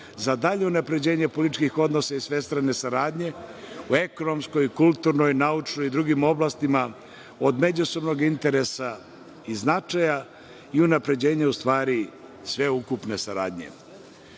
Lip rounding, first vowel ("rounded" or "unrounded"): unrounded